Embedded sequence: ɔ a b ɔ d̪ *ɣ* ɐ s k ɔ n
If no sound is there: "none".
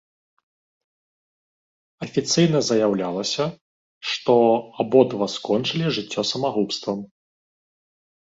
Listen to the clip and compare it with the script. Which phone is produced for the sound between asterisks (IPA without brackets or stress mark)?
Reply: v